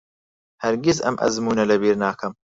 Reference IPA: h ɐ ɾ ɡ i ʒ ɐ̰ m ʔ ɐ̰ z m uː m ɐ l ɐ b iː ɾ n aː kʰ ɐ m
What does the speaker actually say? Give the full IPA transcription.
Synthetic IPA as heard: h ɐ ɾ ɡ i z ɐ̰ m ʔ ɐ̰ z m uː n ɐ l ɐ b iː ɾ n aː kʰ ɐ m